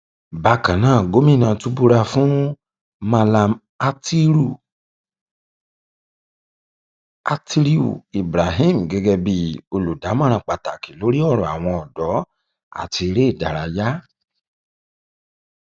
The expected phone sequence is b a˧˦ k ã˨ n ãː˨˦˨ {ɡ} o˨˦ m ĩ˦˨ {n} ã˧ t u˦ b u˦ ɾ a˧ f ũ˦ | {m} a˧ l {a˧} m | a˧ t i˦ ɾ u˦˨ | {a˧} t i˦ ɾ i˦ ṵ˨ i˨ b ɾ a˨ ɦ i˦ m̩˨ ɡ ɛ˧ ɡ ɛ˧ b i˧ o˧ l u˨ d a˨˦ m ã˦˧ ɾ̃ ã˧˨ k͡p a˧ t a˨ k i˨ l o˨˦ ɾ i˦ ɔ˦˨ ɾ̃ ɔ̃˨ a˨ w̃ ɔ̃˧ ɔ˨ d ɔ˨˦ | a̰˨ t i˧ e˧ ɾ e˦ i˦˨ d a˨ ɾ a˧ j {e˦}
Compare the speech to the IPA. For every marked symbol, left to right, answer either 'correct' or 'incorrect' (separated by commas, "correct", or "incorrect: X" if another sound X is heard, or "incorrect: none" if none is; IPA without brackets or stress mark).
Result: correct, correct, correct, correct, correct, incorrect: a˦